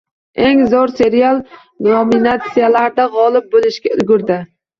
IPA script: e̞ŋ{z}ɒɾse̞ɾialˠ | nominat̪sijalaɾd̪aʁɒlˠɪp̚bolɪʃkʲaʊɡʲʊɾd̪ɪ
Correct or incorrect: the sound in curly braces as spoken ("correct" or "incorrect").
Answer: correct